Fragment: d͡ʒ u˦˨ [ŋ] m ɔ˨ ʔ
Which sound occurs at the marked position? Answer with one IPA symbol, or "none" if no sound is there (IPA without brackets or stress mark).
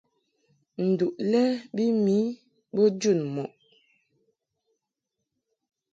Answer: n